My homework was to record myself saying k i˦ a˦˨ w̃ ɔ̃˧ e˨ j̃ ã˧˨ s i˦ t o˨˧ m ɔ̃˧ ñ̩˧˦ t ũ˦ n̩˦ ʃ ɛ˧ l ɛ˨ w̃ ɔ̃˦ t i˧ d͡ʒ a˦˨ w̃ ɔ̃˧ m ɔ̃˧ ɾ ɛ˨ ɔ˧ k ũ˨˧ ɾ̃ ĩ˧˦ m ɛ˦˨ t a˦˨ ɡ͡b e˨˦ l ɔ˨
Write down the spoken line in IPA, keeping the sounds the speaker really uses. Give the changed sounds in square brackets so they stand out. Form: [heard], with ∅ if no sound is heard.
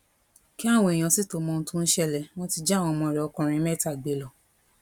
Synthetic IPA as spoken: k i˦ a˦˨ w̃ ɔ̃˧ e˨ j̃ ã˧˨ s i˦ t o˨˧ m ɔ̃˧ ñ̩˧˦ t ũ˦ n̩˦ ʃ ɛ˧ l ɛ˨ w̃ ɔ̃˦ t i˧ d͡ʒ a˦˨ w̃ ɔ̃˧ m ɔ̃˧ ɾ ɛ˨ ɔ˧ k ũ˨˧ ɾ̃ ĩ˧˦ m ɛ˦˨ t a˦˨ ɡ͡b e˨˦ l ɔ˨